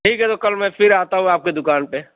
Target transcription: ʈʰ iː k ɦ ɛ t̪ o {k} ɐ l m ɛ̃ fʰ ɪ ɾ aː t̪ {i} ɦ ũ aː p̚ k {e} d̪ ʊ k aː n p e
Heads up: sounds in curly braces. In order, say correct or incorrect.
correct, incorrect, correct

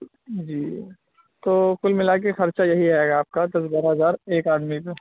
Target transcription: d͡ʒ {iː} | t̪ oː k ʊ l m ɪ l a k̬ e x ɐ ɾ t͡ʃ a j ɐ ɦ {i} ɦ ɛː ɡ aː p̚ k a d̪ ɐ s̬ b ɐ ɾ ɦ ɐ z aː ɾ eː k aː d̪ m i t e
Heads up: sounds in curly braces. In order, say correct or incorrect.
correct, correct

